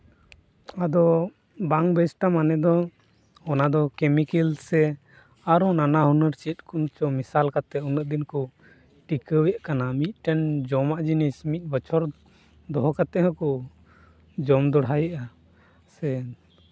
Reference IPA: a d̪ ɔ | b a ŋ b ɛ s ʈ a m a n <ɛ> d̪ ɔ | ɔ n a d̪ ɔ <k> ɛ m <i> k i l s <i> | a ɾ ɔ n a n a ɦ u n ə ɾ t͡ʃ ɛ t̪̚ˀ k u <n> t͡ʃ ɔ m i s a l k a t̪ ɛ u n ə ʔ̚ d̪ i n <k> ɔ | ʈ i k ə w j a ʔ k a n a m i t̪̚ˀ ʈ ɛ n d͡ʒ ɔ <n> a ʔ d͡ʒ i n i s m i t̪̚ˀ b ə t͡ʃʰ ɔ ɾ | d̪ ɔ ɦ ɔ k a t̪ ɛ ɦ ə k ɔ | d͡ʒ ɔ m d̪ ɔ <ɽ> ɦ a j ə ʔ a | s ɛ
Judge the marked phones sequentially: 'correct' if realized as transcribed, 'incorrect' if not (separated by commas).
correct, correct, correct, incorrect, correct, correct, incorrect, correct